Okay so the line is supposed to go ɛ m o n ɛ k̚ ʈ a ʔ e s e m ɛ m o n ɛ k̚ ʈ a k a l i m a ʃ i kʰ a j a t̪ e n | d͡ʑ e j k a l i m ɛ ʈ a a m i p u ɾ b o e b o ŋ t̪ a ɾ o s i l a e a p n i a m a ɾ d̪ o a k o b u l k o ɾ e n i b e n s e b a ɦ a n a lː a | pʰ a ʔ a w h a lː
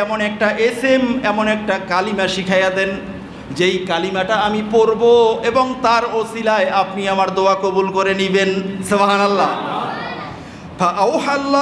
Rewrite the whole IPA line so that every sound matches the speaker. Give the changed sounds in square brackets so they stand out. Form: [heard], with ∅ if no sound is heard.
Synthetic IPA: ɛ m o n ɛ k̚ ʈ a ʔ e s e m ɛ m o n ɛ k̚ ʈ a k a l i m a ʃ i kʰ a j a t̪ e n | d͡ʑ e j k a l i m [a] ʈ a a m i p [o] ɾ b o e b o ŋ t̪ a ɾ o s i l a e a p n i a m a ɾ d̪ o a k o b u l k o ɾ e n i b e n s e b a ɦ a n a lː a | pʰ a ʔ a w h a lː